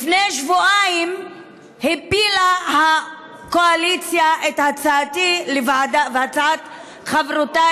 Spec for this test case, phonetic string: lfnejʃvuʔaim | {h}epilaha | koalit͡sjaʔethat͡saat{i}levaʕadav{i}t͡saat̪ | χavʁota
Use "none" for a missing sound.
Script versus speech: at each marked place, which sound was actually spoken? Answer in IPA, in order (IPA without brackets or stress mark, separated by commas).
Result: h, i, a